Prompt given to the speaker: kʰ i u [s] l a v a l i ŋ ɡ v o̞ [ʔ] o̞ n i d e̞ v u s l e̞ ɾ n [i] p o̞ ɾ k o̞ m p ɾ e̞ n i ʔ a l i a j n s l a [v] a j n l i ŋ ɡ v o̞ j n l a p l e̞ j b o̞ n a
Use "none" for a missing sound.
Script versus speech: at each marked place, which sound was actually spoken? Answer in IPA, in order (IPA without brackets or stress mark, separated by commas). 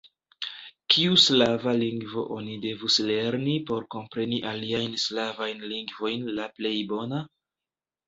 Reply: s, ʔ, i, v